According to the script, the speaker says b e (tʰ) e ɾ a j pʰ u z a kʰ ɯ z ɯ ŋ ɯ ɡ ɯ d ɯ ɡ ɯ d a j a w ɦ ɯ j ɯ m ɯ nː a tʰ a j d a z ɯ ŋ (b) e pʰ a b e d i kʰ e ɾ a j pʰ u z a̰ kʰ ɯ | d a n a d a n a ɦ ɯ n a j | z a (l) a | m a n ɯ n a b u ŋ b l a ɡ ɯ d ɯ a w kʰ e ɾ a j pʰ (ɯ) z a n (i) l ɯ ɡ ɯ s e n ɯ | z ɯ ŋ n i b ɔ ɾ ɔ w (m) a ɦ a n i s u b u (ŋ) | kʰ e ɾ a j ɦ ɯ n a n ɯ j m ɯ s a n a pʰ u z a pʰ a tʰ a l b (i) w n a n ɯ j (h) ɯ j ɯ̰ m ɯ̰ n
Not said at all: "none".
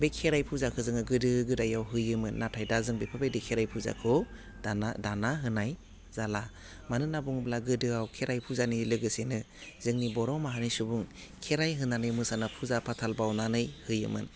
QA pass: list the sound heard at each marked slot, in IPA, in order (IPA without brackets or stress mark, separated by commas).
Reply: kʰ, b, l, u, i, m, ŋ, a, h